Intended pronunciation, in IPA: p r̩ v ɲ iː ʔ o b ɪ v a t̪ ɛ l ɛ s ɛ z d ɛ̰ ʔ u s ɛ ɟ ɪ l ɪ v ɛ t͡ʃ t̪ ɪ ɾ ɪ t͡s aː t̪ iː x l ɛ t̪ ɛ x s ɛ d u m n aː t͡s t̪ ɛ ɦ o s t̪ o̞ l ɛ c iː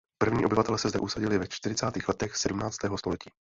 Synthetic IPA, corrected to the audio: p r̩ v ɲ iː ʔ o b ɪ v a t̪ ɛ l ɛ s ɛ z d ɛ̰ ʔ u s a ɟ ɪ l ɪ v ɛ t͡ʃ t̪ ɪ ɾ ɪ t͡s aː t̪ iː x l ɛ t̪ ɛ x s ɛ d u m n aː t͡s t̪ ɛː ɦ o s t̪ o̞ l ɛ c iː